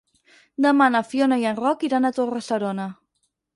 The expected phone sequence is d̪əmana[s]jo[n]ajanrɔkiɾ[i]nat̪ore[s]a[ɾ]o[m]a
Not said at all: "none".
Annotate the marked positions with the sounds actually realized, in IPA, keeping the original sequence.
f, n, a, s, ɾ, n

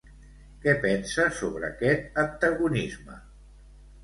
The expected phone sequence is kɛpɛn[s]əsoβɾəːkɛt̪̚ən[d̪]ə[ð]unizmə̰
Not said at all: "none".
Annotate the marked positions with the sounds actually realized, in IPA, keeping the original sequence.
s, t̪, ɣ

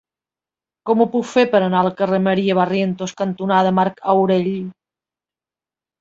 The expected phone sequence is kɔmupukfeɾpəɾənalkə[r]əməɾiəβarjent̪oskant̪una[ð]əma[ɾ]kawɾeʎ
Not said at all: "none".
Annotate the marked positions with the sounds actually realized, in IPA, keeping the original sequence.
r, ð, ɾ

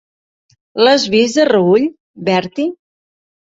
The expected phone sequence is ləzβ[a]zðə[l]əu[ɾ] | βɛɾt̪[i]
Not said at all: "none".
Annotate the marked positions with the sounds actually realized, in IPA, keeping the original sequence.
i, r, ʎ, i

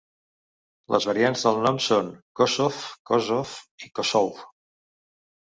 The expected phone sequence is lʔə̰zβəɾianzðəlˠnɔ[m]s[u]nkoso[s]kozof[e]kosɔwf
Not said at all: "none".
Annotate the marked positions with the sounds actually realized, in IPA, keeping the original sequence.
m, o, f, i

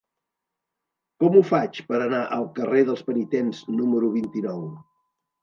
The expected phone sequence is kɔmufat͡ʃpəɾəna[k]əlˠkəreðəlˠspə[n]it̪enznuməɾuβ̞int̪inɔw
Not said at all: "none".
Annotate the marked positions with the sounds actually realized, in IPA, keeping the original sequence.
ʔ, n

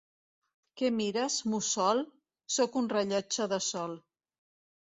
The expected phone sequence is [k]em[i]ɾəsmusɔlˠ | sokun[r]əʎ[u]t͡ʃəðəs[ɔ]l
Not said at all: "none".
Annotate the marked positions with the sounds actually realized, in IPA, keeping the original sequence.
k, i, r, ɔ, ɔ

